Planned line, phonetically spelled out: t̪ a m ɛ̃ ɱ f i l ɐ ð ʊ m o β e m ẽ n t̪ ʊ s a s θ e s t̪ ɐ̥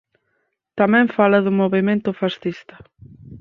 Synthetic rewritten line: t̪ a m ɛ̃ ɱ f a l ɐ ð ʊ m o β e m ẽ n t̪ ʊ f a s θ i s t̪ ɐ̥